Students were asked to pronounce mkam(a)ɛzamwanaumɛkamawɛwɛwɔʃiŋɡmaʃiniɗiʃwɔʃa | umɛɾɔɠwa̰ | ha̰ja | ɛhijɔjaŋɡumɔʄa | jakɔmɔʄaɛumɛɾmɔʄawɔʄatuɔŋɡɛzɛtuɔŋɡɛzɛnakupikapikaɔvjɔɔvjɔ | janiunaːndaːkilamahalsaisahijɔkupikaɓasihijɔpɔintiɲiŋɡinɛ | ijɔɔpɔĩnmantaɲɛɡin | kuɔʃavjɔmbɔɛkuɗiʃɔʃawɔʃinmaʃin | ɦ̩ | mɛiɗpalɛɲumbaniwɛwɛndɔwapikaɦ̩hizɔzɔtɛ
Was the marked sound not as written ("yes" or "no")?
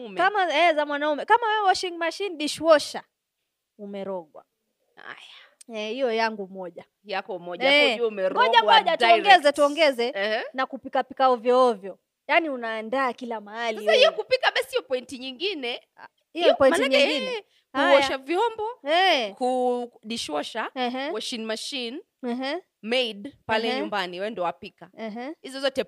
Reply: no